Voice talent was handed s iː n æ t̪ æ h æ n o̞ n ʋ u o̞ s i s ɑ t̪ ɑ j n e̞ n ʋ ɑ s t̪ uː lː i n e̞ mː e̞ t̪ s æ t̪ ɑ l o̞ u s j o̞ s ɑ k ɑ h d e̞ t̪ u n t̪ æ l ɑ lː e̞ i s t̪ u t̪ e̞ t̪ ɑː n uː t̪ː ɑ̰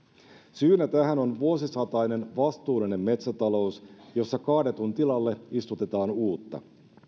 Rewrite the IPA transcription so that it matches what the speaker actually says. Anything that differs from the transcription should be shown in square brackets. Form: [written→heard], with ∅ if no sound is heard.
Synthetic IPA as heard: s [iː→yː] n æ t̪ æ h æ n o̞ n ʋ u o̞ s i s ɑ t̪ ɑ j n e̞ n ʋ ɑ s t̪ uː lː i n e̞ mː e̞ t̪ s æ t̪ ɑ l o̞ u s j o̞ [s→sː] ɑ k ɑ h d e̞ t̪ u n t̪ [æ→i] l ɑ lː e̞ i s t̪ u t̪ e̞ t̪ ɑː n uː t̪ː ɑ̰